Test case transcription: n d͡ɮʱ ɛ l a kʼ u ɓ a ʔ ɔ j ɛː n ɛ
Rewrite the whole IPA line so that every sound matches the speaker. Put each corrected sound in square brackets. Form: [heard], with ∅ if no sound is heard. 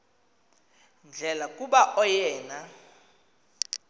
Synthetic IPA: n d͡ɮʱ ɛ l a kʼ u ɓ a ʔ ɔ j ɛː n [a]

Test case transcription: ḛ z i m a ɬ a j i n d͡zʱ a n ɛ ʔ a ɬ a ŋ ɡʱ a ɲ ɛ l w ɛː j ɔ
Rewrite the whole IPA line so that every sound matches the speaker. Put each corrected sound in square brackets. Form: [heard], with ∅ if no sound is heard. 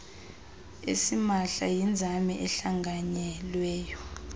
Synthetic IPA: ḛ [s] i m a ɬ a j i n d͡zʱ a [m] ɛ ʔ [ɛ] ɬ a ŋ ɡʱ a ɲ ɛ l w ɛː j ɔ

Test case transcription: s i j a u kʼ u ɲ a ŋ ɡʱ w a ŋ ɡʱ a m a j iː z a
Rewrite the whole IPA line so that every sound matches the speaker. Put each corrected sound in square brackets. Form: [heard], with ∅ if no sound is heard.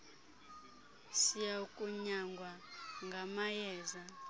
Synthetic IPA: s i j a u kʼ u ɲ a ŋ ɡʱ w a ŋ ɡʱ a m a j [ɛː] z a

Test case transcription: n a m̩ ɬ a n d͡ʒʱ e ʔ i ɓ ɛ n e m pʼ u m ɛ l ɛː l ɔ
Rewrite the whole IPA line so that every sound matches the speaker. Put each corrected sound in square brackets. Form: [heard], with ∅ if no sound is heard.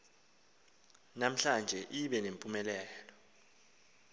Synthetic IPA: n a m̩ ɬ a n d͡ʒʱ [ɛ] ʔ i ɓ ɛ n e m pʼ u m ɛ l ɛː l ɔ

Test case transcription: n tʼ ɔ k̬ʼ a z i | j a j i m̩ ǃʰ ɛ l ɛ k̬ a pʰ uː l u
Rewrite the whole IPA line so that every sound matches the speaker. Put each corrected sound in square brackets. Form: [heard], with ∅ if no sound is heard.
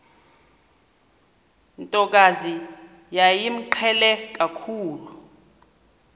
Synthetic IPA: n tʼ ɔ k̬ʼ a z i | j a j i m̩ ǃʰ ɛ l ɛ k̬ a [kʰ] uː l u

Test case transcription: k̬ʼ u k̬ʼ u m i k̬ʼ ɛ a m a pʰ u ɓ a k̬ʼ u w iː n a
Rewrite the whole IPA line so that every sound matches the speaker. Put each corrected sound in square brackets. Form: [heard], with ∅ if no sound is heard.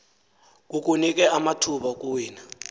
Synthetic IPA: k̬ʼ u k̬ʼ u [n] i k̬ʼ ɛ a m a [tʰ] u ɓ a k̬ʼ u w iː n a

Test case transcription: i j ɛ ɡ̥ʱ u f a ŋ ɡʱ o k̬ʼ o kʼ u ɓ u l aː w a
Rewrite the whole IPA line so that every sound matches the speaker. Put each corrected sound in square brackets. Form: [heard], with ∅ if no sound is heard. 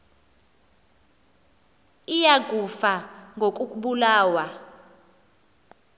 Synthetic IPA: i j [a] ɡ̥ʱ u f a ŋ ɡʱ o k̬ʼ [u] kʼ u ɓ u l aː w a

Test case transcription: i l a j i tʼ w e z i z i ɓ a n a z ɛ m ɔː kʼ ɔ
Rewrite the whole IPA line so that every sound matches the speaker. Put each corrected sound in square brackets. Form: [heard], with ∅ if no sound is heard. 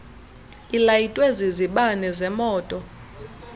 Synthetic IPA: i l a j i tʼ w e z i z i ɓ a n [ɛ] z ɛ m ɔː [tʼ] ɔ

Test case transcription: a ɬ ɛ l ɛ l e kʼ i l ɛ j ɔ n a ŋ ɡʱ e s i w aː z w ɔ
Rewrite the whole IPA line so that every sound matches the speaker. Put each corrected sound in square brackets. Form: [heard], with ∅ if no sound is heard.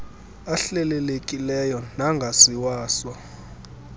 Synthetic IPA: a ɬ ɛ l ɛ l e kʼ i l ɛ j ɔ n a ŋ ɡʱ [a] s i w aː [s] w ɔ

